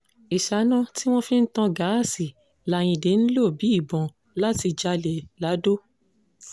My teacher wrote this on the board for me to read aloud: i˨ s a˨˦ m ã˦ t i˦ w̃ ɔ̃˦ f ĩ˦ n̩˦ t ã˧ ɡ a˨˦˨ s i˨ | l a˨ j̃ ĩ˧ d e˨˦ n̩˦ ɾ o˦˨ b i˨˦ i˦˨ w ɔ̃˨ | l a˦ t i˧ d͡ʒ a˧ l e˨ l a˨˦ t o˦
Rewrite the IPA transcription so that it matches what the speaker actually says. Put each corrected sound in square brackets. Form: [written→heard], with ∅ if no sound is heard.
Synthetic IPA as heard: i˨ [s→ʃ] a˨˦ [m→n] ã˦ t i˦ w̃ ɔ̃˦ f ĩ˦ n̩˦ t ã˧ ɡ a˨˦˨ s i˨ | l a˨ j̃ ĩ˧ d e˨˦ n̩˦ [ɾ→l] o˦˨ b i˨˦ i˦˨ [w→b] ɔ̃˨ | l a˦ t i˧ d͡ʒ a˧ l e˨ l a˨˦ [t→d] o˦